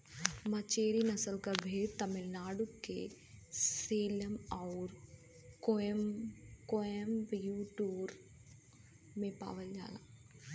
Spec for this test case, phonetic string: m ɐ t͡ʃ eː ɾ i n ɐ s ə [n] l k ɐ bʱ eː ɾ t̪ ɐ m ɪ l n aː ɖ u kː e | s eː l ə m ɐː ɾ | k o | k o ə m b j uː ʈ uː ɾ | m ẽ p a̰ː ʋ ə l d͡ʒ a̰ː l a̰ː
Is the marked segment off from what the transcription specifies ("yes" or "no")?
yes